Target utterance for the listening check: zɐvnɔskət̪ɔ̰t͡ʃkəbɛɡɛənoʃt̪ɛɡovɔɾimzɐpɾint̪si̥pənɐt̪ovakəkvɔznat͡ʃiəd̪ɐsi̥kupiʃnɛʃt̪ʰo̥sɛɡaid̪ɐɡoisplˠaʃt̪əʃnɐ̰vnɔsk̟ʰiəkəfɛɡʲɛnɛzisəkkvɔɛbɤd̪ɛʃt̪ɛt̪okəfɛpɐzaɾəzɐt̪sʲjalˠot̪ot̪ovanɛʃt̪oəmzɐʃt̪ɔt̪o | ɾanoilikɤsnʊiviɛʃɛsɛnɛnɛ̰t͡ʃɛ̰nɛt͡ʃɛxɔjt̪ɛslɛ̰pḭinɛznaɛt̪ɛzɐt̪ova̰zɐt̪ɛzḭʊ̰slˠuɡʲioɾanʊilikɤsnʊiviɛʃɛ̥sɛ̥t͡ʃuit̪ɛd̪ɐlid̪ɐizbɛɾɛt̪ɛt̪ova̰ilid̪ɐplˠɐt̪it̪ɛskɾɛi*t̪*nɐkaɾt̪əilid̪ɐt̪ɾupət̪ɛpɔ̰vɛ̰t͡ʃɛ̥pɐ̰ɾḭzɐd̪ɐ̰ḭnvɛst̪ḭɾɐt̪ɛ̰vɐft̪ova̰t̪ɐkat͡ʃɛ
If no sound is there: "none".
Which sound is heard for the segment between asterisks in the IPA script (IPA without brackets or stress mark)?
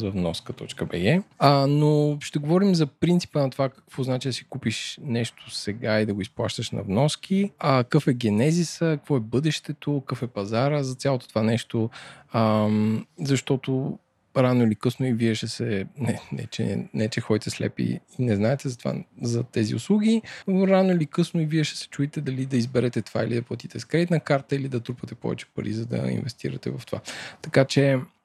t̪